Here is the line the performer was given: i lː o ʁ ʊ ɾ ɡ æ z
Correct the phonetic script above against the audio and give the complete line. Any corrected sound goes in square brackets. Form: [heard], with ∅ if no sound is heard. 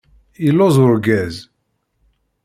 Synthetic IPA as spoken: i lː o [z] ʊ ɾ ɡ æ z